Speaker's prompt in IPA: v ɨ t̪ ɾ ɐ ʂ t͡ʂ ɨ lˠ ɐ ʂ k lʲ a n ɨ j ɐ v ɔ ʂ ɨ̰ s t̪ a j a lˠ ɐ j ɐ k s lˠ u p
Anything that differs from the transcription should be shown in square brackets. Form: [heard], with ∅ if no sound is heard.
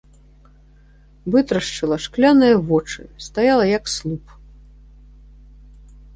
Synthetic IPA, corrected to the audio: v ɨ t̪ ɾ ɐ ʂ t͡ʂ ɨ lˠ ɐ ʂ k lʲ a n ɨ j ɐ v ɔ [t͡ʂ] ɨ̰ s t̪ a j a lˠ ɐ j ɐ k s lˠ u p